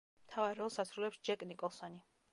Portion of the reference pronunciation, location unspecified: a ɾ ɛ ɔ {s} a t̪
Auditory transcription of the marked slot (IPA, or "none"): s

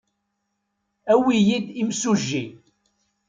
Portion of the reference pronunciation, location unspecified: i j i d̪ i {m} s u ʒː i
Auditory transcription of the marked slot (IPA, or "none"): m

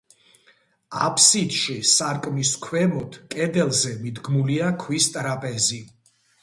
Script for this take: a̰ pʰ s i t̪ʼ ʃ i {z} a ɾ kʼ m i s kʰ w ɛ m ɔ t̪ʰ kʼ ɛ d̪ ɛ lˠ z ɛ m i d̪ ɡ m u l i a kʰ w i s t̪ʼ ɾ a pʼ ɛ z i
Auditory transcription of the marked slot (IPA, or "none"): s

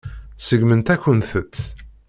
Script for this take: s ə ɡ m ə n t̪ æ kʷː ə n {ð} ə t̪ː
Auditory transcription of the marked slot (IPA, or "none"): θ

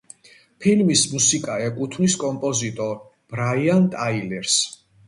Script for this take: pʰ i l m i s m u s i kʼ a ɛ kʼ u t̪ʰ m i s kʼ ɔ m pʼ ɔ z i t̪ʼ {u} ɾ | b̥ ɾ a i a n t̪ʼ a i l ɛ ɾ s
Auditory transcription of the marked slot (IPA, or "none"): ɔ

